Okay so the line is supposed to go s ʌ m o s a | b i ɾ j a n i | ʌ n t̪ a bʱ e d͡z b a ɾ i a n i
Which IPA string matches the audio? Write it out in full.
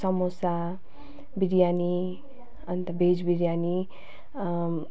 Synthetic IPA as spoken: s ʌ m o s a | b i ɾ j a n i | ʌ n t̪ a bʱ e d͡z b i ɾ j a n i